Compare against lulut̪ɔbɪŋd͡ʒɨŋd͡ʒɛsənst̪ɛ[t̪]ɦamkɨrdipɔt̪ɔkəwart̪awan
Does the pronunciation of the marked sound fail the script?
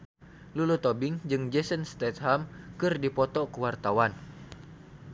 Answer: no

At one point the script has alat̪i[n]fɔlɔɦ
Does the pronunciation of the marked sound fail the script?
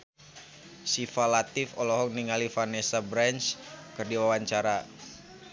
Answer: yes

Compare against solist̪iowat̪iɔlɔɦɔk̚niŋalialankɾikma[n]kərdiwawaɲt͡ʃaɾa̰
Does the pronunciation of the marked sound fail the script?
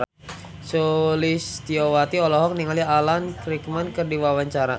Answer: no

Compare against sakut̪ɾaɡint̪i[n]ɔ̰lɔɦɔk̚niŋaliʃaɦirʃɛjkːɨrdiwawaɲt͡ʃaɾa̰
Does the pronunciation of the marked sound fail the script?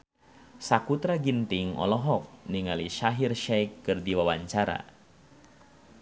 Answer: yes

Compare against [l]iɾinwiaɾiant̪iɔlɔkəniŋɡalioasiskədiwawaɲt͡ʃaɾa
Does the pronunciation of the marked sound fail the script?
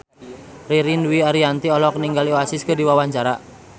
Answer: yes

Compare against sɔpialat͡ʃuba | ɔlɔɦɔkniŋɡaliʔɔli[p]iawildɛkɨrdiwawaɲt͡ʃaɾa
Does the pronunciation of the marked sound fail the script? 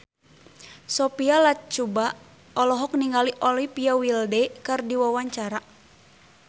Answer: no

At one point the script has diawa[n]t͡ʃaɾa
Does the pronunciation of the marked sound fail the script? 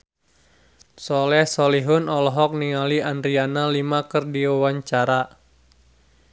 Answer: yes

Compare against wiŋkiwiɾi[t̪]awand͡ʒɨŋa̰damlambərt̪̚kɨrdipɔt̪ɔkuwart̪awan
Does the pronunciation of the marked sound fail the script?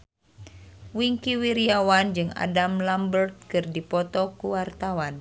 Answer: yes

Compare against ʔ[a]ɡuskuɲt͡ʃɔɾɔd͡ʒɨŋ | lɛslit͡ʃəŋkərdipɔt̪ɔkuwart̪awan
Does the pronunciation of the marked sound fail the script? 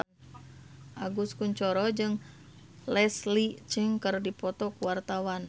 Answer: no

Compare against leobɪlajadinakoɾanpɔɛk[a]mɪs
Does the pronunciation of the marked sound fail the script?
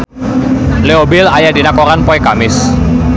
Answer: no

